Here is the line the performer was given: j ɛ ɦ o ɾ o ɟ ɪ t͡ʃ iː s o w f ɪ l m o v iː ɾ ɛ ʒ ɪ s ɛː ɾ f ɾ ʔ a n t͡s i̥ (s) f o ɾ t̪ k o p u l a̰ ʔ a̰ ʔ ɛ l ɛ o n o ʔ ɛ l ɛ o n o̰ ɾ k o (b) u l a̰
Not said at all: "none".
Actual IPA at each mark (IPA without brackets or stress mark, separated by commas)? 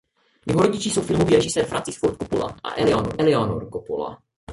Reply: s, p